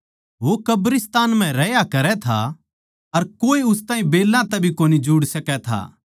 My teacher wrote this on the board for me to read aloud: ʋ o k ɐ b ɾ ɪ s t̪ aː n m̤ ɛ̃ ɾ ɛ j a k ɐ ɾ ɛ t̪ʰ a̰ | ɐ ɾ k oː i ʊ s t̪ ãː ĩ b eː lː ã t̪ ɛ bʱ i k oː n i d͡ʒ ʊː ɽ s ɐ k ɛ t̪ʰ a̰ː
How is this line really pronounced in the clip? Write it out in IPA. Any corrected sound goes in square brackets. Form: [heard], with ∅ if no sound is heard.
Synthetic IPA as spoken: ʋ o k ɐ b ɾ ɪ s t̪ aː n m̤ ɛ̃ ɾ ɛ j a k ɐ ɾ ɛ t̪ʰ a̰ | ɐ ɾ k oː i ʊ s t̪ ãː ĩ b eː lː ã t̪ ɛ bʱ i k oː n i d͡ʒ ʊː ɽ s ɐ k ɛ t̪ʰ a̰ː